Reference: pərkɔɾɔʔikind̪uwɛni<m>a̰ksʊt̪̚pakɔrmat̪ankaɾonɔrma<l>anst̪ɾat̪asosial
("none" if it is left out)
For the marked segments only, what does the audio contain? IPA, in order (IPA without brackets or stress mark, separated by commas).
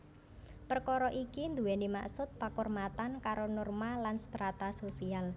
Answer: m, l